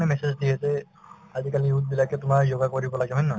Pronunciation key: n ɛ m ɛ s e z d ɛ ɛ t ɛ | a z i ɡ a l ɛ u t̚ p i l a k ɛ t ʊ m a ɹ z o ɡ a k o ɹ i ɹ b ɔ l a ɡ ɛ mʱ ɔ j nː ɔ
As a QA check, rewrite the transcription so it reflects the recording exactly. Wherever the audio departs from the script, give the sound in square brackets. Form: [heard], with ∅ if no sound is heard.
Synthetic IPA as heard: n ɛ m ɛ s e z d [i] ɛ t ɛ | a z i [k] a l [i] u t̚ [b] i l a k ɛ t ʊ m a ɹ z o ɡ a k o ɹ i [∅] b ɔ l a ɡ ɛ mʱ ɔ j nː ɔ